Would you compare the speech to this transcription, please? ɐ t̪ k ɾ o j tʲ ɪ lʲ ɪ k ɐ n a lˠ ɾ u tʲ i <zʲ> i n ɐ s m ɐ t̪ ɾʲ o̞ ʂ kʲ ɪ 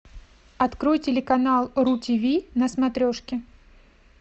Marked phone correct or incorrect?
incorrect